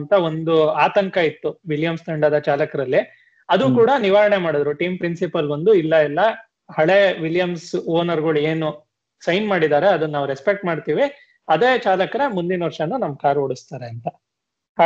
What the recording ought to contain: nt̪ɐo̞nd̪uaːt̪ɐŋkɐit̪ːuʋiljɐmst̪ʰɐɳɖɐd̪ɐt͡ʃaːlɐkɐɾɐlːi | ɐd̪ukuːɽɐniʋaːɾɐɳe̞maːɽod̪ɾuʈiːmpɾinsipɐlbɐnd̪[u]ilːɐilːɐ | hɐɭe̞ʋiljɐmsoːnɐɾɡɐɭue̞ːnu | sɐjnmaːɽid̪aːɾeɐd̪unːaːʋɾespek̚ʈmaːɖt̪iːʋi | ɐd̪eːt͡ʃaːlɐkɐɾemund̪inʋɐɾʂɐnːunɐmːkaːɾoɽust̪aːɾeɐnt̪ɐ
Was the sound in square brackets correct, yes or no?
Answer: yes